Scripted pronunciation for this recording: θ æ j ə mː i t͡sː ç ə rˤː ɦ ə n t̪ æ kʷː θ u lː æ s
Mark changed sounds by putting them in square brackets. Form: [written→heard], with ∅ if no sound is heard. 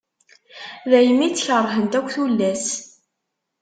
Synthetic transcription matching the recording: [θ→ð] æ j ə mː i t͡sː ç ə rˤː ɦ ə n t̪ æ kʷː θ u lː æ s